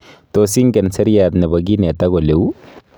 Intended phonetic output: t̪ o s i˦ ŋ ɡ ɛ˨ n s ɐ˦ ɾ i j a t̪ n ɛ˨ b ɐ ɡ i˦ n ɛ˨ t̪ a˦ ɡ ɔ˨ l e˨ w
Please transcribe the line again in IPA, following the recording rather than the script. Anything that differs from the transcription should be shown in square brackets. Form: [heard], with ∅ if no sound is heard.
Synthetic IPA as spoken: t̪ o s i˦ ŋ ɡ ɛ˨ n s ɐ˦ ɾ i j a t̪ n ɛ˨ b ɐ ɡ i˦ n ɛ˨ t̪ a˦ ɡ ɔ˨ l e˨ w